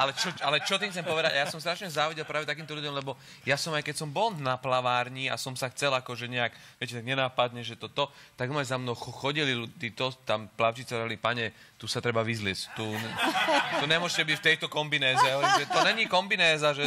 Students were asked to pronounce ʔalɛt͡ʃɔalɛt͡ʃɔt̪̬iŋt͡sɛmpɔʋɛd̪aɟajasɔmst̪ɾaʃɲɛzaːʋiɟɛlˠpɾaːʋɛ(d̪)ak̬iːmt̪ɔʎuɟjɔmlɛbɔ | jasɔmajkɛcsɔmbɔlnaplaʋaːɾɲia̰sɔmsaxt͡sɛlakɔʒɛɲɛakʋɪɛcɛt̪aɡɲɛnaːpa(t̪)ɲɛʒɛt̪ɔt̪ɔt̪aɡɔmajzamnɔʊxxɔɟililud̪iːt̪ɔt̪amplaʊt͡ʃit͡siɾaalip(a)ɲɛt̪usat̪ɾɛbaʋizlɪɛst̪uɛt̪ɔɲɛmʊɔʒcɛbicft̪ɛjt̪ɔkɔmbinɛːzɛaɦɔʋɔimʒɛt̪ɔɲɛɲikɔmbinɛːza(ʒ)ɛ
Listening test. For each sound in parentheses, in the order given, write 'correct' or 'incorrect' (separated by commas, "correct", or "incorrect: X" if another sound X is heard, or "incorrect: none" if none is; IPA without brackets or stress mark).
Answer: incorrect: t̪, incorrect: d̪, correct, correct